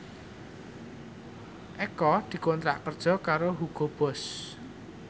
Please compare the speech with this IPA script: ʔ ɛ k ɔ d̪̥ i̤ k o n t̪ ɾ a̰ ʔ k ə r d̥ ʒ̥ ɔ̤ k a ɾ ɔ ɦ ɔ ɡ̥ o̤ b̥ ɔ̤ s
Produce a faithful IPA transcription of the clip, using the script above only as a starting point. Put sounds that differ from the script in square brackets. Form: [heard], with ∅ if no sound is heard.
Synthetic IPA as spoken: ʔ ɛ k ɔ d̪̥ i̤ k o n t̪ ɾ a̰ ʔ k ə r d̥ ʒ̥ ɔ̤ k a ɾ [o] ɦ [u] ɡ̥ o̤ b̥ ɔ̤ s